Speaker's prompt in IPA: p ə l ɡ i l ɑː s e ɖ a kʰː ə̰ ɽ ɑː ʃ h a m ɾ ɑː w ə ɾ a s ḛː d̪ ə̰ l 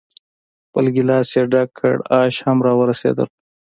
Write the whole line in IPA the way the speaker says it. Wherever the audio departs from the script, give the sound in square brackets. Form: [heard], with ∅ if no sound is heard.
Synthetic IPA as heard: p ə l ɡ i l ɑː s e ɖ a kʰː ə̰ ɽ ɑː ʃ h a m ɾ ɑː w ə ɾ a s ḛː d̪ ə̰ l